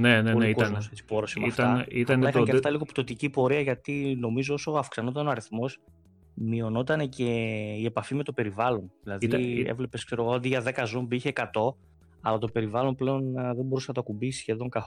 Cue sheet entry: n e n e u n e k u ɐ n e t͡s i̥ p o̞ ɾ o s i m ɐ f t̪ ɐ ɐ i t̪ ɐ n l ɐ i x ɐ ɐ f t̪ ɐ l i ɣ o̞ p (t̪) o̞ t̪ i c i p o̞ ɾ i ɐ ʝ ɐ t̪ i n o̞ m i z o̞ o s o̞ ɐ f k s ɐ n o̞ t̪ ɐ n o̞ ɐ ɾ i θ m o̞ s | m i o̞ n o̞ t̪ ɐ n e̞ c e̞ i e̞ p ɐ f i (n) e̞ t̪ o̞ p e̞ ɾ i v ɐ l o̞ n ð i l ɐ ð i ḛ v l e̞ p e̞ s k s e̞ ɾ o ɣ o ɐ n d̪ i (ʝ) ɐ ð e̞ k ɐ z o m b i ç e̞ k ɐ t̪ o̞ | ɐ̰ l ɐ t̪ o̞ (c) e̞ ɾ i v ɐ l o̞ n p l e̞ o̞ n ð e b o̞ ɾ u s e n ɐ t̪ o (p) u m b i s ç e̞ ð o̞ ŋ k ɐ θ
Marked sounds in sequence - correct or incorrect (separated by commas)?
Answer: correct, incorrect, correct, incorrect, incorrect